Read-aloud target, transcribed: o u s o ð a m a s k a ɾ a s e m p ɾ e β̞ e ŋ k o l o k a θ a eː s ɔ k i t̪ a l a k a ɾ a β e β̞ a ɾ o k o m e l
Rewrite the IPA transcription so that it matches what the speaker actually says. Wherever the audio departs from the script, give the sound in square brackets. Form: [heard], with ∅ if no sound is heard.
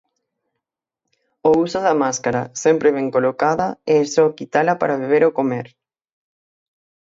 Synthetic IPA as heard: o u s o ð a m a s k a ɾ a s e m p ɾ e β̞ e ŋ k o l o k a [ð] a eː s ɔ k i t̪ a l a [p] a ɾ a β e β̞ [e] ɾ o k o m e [ɾ]